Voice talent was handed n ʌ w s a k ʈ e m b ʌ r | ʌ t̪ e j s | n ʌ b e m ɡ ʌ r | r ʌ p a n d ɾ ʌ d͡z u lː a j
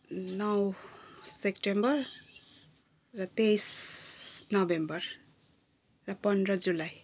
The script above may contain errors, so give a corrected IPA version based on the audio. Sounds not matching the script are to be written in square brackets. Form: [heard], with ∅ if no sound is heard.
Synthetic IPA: n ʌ w s [e] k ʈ e m b ʌ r | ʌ t̪ e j s | n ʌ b e m [b] ʌ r | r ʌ p [ʌ] n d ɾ ʌ d͡z u [l] a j